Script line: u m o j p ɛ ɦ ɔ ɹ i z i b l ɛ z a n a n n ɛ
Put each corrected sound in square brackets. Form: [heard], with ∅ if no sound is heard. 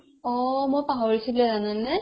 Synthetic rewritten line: [ɔ] m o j p [a] ɦ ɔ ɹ i [s] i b l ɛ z a n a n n ɛ

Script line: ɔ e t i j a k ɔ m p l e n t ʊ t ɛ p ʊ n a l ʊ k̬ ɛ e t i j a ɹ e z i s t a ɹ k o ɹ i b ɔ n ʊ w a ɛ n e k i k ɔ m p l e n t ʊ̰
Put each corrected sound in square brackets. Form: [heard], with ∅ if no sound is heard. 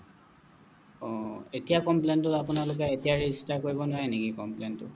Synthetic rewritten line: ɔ e t i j a k ɔ m p l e n t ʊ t [a] p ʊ n a l ʊ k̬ ɛ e t i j a ɹ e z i s t a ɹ k o ɹ i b ɔ n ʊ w a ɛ n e k i k ɔ m p l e n t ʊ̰

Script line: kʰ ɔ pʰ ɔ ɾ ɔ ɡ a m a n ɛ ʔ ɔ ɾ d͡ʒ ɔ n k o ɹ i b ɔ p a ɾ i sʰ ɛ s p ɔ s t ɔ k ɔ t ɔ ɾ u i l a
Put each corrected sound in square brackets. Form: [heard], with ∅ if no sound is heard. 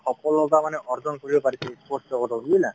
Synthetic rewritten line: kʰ ɔ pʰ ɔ [l] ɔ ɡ a m a n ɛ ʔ ɔ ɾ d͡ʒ ɔ n k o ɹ i b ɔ p a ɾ i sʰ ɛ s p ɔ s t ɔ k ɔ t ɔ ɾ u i l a

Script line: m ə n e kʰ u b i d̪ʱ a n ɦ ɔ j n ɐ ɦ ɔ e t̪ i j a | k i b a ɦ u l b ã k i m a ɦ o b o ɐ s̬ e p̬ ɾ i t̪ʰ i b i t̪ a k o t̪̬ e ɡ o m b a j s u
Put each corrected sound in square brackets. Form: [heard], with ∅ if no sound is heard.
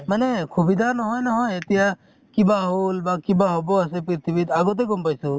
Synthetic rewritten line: m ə n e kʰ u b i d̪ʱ a n ɦ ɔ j n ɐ ɦ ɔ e t̪ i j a | k i b a ɦ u l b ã k i [b] a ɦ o b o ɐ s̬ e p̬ ɾ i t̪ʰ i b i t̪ a [ɡ] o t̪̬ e ɡ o m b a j s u

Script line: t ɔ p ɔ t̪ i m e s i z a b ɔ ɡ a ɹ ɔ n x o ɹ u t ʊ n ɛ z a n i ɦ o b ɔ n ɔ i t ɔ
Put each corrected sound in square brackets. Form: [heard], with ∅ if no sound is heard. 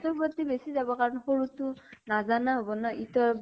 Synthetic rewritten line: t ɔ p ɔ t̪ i [b] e s i z a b ɔ [k] a ɹ ɔ n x o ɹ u t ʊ n [a] z a n [a] ɦ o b ɔ n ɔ i t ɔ

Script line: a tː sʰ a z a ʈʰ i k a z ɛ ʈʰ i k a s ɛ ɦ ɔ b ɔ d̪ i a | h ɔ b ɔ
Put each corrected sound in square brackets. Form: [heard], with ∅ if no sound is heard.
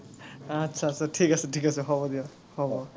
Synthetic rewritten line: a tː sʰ a [s] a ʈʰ i k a [s] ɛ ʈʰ i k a s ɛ ɦ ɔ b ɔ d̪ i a | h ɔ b ɔ

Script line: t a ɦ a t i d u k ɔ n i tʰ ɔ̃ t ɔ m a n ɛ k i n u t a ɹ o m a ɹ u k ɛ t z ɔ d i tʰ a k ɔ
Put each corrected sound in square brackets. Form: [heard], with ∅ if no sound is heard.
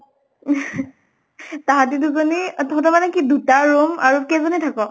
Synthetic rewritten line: t a ɦ a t i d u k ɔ n i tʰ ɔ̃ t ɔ m a n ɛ k i [d] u t a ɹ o m a ɹ u k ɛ [∅] z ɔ [n] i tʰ a k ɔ

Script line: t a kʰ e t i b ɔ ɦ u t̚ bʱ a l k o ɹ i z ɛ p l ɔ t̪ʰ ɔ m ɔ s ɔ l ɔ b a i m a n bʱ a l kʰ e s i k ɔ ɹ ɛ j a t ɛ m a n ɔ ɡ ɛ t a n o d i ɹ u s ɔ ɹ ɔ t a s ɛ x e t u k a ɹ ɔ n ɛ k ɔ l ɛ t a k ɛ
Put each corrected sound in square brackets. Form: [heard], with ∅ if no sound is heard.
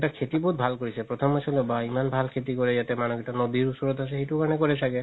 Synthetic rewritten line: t a kʰ e t i b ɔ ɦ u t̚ bʱ a l k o ɹ i [s] ɛ p [ɹ] ɔ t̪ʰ ɔ m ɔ s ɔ l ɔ b a i m a n bʱ a l kʰ e [t] i k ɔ ɹ ɛ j a t ɛ m a n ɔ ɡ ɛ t a n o [b] i ɹ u s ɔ ɹ ɔ t a s ɛ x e t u k a ɹ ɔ n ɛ k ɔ [ɹ] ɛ [s] a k ɛ

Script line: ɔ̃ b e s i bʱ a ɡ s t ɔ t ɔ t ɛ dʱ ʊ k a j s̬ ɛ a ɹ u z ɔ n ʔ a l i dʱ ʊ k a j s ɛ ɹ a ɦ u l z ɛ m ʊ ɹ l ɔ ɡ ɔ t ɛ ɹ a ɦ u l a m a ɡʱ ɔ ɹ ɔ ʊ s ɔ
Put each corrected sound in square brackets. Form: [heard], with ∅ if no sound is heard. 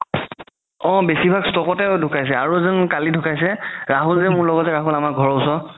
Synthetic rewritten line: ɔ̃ b e s i bʱ a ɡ s t ɔ [k] ɔ t ɛ dʱ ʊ k a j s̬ ɛ a ɹ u z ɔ n [k] a l i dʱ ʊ k a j s ɛ ɹ a ɦ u l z ɛ m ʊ ɹ l ɔ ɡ ɔ t ɛ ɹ a ɦ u l a m a ɡʱ ɔ ɹ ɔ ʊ s ɔ

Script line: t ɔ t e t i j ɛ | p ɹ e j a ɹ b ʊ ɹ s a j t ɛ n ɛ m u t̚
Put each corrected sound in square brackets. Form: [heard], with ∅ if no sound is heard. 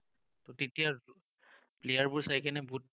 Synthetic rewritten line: t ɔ t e t i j [a] | p [l] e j a ɹ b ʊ ɹ s a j [k] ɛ n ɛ [b] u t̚

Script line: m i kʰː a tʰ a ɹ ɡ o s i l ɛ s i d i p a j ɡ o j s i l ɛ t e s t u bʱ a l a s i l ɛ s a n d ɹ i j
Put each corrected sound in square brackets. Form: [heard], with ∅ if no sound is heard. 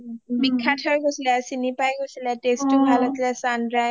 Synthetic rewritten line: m i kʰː a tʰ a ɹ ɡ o s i l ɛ s i [n] i p a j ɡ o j s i l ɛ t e s t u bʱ a l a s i l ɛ s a n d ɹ [a] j

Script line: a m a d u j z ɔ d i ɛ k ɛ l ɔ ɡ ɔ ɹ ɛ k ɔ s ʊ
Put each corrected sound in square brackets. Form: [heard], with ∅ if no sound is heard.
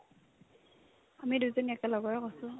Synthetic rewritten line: a m [i] d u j z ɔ [n] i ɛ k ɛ l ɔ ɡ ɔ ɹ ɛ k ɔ s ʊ

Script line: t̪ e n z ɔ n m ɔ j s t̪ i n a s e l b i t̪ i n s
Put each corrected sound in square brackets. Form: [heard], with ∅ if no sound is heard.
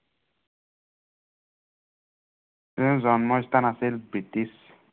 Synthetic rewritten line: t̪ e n z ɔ n m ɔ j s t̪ [a] n a s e l b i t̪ i [∅] s

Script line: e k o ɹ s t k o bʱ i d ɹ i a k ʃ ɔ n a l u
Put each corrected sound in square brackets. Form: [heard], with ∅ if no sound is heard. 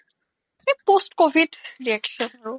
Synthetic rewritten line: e [p] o [∅] s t k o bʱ i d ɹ i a k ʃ ɔ n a [ɹ] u

